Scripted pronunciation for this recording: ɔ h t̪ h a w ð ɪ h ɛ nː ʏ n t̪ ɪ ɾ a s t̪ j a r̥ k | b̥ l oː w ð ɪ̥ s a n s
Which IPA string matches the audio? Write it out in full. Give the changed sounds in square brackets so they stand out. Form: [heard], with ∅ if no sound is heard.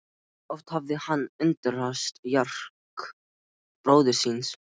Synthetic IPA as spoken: ɔ [f] t̪ h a [v] ð ɪ h [a] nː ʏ n t̪ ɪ ɾ a s t̪ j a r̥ k | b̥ [ɾ] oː w ð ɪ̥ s [i] n s